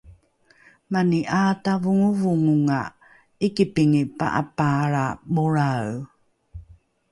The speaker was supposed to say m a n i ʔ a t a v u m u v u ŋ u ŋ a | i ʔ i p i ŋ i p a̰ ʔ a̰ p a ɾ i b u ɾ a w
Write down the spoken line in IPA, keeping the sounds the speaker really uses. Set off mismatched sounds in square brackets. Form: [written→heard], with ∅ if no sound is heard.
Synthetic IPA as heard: m a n i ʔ a t a v u [m→ŋ] u v u ŋ u ŋ a | i [ʔ→k] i p i ŋ i p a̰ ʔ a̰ p a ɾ [i→a] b u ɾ a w

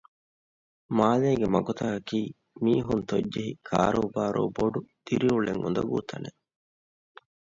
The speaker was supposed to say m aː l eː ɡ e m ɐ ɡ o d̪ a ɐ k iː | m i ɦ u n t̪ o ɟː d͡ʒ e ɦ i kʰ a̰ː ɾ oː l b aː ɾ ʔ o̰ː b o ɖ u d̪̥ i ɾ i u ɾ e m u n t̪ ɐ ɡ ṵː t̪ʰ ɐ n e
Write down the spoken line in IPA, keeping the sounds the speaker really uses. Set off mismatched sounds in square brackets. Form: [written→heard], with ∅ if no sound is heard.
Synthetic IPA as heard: m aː l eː ɡ e m ɐ ɡ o [d̪→t̪] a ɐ k iː | m [i→iː] ɦ u n t̪ o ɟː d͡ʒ e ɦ i kʰ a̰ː ɾ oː [l→∅] b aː ɾ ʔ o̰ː b o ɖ u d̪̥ i ɾ i u [ɾ→ɭ] e [m→ŋ] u n [t̪→d̪] ɐ ɡ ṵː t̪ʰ ɐ n e

